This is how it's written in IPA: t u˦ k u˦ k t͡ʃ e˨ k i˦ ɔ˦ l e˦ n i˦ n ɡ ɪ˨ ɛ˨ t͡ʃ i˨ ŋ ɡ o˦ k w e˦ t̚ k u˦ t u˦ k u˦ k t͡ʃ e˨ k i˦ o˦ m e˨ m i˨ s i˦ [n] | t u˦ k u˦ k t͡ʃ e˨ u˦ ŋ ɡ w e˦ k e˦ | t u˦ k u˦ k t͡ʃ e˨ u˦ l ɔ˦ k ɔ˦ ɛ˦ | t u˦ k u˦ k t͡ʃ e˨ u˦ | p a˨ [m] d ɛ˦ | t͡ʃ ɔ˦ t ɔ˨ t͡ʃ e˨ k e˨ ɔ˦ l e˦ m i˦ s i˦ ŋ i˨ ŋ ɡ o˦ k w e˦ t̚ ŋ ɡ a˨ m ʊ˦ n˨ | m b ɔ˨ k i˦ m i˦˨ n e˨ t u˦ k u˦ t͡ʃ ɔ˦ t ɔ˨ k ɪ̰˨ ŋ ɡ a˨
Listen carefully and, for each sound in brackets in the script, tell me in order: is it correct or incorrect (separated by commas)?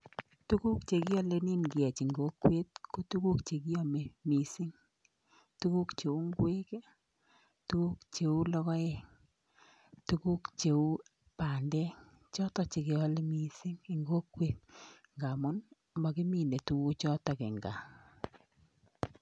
incorrect, incorrect